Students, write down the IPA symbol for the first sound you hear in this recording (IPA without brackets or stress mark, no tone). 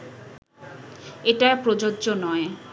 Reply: e